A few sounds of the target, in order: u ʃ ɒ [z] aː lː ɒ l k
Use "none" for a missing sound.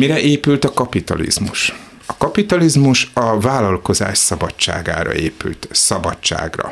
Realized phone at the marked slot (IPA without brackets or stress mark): v